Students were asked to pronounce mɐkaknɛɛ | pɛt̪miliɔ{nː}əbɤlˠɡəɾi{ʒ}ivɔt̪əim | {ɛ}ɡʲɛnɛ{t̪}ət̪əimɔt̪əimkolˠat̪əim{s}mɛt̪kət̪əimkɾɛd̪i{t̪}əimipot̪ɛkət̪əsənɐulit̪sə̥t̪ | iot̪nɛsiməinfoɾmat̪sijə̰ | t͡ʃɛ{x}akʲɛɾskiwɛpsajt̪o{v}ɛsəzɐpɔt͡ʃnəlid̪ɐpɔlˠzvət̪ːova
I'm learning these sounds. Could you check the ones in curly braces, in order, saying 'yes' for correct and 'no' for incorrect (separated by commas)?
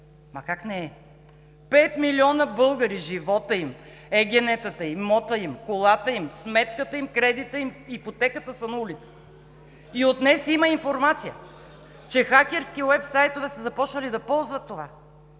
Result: no, yes, yes, yes, yes, yes, yes, yes